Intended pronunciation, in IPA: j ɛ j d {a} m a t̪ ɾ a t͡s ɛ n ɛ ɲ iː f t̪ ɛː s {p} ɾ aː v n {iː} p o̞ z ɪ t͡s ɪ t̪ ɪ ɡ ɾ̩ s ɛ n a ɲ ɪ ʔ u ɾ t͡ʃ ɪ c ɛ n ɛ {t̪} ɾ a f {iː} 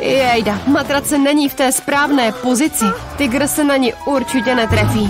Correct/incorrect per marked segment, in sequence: correct, correct, incorrect: ɛː, correct, correct

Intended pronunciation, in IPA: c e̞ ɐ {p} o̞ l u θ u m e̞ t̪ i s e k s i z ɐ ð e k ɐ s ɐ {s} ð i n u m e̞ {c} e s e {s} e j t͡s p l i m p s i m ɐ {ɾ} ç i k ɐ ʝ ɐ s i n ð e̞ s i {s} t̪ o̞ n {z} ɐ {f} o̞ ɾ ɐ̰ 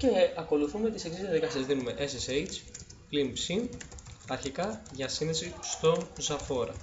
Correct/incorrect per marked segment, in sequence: incorrect: k, incorrect: z, incorrect: ʔ, correct, correct, correct, correct, correct

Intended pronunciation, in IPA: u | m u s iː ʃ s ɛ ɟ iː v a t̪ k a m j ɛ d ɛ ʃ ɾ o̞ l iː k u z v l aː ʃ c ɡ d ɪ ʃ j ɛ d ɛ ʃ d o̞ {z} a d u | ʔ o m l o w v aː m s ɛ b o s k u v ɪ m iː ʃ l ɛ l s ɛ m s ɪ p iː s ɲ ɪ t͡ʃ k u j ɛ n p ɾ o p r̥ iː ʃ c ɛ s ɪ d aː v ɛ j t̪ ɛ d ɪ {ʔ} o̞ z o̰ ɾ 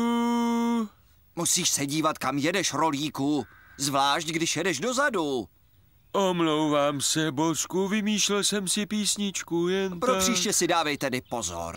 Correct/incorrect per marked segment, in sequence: correct, incorrect: p

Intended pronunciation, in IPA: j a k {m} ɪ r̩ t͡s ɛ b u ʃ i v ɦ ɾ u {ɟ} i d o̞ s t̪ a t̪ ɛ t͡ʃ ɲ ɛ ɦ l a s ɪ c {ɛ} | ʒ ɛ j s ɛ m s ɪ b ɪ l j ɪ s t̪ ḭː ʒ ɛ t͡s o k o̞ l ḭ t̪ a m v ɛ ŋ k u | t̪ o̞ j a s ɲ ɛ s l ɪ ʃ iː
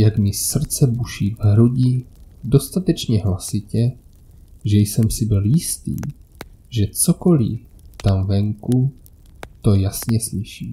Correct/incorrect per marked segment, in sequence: correct, correct, correct

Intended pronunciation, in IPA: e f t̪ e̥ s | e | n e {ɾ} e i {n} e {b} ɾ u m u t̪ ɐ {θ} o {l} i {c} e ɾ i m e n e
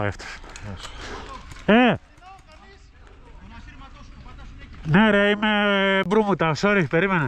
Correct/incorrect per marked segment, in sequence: correct, incorrect: m, correct, incorrect: s, incorrect: ɾ, incorrect: p

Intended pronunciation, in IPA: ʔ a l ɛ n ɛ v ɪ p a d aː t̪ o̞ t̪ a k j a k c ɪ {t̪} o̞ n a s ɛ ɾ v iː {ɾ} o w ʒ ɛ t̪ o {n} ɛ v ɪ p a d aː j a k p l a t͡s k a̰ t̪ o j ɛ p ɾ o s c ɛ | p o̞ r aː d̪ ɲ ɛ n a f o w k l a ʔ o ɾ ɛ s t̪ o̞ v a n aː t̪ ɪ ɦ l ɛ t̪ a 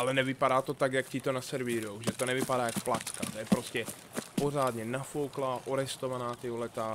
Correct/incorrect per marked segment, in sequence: correct, correct, correct

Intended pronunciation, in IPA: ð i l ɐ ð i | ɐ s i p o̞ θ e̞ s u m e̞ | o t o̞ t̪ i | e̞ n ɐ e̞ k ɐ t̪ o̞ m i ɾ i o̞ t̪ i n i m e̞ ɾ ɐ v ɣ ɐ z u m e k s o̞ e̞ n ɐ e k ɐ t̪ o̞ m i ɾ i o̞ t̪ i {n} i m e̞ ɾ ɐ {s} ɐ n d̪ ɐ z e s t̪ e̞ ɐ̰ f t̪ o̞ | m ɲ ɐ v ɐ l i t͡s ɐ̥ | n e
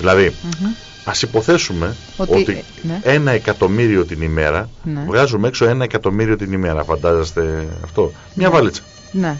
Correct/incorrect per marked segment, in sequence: correct, incorrect: f

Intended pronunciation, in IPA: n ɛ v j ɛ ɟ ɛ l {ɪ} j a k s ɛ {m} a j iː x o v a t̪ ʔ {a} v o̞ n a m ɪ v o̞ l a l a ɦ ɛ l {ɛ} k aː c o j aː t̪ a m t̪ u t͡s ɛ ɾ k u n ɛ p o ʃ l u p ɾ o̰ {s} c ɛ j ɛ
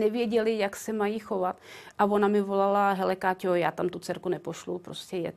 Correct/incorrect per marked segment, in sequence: correct, correct, correct, correct, correct

